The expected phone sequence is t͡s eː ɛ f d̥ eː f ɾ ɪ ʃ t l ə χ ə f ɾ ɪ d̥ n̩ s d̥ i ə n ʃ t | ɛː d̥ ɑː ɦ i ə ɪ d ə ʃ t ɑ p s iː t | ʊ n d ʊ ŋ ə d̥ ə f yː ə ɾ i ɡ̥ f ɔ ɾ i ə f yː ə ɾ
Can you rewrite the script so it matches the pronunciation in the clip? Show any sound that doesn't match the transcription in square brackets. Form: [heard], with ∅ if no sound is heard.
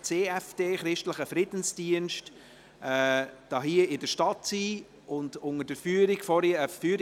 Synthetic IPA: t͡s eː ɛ f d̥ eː [χ] ɾ ɪ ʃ t l ə χ ə f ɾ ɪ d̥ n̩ s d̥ i ə n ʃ t | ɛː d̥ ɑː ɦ i ə ɪ d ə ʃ t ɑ [t] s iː [∅] | ʊ n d ʊ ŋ ə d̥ ə f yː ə ɾ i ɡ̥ f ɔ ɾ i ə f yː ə ɾ

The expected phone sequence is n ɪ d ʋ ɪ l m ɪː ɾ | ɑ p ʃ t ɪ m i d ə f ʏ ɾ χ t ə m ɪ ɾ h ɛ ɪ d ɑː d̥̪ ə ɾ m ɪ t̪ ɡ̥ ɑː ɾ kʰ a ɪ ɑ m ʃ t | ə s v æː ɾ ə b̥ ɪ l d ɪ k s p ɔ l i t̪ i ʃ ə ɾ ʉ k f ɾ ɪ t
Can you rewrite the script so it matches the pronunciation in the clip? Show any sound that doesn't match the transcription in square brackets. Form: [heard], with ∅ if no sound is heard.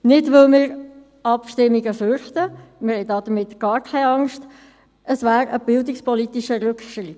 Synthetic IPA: n ɪ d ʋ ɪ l m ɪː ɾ | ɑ p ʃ t ɪ m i [ɡ] ə f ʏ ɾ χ t ə m ɪ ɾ h ɛ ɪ d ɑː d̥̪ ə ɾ m ɪ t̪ ɡ̥ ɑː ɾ kʰ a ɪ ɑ [ŋ] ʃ t | ə s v æː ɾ ə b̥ ɪ l d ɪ k s p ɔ l i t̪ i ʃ ə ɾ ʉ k [ʃ] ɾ ɪ t

